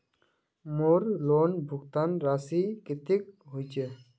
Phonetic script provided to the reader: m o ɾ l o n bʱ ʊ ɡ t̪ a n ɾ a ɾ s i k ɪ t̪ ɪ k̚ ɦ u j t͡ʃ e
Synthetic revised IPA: m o ɾ l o n bʱ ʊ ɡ t̪ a n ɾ a s i k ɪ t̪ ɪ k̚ ɦ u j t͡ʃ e